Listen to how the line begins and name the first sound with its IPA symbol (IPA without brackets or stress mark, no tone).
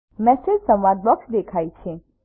m